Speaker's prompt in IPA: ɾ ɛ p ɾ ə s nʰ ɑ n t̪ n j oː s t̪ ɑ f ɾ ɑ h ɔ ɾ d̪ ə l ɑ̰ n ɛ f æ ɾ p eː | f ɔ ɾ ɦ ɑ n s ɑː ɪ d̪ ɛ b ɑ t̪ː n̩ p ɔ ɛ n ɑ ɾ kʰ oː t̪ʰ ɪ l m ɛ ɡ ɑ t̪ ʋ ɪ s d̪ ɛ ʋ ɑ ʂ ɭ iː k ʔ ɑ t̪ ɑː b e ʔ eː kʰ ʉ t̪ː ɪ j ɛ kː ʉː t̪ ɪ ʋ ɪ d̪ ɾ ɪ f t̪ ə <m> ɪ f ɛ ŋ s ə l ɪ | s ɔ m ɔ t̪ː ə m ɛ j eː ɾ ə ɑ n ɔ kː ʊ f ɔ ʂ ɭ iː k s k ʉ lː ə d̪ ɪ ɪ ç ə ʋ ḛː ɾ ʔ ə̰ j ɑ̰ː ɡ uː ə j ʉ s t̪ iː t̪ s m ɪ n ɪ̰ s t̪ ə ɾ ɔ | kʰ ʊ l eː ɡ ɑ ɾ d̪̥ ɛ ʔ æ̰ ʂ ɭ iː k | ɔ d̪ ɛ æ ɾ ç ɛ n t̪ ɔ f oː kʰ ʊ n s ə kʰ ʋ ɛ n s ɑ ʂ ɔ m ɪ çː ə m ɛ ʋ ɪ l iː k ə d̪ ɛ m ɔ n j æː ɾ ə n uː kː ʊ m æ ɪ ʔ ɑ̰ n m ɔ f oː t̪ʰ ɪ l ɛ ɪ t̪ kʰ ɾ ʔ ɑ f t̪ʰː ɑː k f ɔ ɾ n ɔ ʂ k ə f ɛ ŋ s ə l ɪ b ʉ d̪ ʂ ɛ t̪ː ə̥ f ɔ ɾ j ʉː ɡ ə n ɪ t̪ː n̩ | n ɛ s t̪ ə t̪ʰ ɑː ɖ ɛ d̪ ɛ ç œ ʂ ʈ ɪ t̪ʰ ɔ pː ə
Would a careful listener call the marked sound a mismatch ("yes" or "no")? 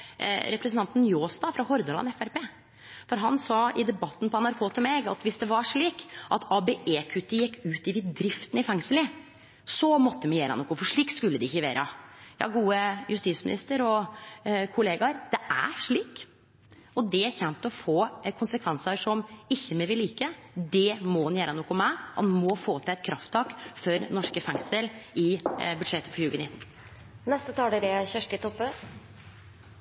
yes